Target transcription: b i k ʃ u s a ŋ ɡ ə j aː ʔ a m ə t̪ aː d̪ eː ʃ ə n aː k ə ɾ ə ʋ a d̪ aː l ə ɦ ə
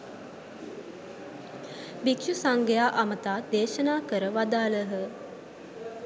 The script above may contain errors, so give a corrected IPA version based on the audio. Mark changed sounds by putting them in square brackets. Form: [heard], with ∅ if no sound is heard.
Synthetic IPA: b i k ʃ u s a ŋ ɡ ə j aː ʔ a m ə t̪ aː d̪ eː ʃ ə n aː k ə ɾ ə ʋ a d̪ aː l ə ɦ ə